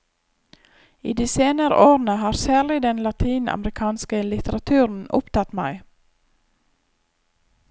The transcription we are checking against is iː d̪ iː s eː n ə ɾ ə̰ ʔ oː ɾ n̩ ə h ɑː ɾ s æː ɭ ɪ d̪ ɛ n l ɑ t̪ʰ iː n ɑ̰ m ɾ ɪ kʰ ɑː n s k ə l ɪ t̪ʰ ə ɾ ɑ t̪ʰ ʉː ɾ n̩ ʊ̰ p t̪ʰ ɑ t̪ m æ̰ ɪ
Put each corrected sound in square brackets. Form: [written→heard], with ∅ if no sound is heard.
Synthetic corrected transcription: iː d̪ iː s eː n ə ɾ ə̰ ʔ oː ɾ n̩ ə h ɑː ɾ s æː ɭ ɪ d̪ ɛ n l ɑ t̪ʰ iː n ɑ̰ m ɾ ɪ kʰ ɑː n s k ə l ɪ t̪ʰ ə ɾ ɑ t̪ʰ ʉː ɾ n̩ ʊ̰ p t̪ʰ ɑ t̪ m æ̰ ɪ